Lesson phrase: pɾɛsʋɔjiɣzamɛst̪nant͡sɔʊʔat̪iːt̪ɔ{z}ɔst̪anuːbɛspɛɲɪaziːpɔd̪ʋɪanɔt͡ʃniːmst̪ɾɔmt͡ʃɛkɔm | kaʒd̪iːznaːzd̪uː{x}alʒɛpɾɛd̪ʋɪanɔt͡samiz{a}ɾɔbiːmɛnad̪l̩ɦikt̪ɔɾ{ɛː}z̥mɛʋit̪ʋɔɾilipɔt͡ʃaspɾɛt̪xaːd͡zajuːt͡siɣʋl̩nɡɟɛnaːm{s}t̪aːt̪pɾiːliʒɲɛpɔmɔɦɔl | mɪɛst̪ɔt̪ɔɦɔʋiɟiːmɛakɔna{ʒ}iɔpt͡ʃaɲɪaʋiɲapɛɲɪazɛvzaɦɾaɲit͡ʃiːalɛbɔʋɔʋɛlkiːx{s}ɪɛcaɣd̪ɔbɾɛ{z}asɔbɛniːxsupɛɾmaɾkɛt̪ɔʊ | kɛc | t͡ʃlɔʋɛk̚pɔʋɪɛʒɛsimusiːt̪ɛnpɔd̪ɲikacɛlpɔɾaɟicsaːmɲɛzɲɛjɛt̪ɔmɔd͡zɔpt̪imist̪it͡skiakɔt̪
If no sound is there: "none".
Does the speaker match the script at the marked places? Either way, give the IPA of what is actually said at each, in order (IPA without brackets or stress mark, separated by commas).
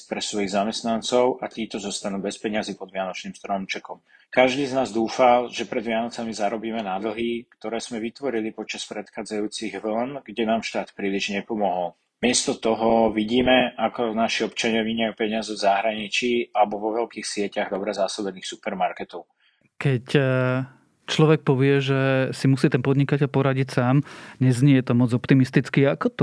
z, f, a, ɛː, ʃ, ʃ, s, z